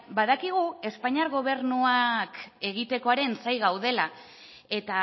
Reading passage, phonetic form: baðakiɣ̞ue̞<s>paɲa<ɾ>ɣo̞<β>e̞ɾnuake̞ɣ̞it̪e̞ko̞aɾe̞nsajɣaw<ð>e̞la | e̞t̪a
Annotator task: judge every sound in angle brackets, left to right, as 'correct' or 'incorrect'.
correct, correct, correct, correct

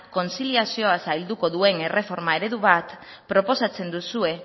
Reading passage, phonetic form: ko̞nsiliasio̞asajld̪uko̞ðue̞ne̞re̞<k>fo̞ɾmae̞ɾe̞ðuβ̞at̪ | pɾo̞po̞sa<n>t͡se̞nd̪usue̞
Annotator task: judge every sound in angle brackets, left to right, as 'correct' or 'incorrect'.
incorrect: none, incorrect: none

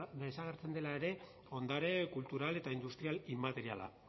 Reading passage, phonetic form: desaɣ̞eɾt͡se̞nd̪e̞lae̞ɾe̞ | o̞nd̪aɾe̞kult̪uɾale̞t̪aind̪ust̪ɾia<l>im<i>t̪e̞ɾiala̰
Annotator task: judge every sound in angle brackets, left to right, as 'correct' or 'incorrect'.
correct, incorrect: a

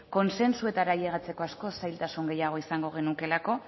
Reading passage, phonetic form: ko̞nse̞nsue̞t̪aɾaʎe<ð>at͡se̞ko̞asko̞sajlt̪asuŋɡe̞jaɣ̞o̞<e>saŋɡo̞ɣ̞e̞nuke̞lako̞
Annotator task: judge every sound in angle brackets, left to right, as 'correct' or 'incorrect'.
incorrect: ɣ, incorrect: i

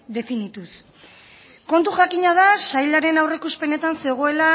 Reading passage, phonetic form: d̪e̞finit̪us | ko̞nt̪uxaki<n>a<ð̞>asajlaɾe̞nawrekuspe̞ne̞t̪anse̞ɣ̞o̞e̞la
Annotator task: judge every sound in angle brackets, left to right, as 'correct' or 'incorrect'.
incorrect: ɲ, correct

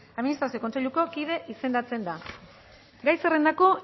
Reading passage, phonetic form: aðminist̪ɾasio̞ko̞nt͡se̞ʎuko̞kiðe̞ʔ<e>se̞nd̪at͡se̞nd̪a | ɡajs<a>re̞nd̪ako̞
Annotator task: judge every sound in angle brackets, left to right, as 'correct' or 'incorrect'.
incorrect: i, incorrect: e

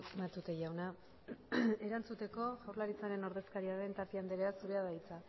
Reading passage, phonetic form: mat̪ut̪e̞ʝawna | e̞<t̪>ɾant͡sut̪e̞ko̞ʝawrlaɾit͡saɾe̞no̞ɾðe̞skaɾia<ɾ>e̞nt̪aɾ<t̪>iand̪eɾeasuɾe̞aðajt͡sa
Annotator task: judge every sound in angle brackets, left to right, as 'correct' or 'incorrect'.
incorrect: none, correct, correct

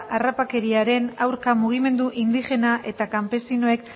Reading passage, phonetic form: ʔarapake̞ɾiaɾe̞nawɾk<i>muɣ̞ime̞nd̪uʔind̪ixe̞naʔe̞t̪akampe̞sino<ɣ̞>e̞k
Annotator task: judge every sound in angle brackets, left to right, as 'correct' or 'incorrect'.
incorrect: a, incorrect: none

